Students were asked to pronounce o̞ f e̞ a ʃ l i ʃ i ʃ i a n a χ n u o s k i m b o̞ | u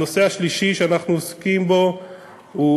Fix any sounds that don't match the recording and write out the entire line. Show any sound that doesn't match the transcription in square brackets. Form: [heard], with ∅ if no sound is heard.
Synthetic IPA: o̞ [s] e̞ a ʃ l i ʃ i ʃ [e] a n a χ n u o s k i m b o̞ | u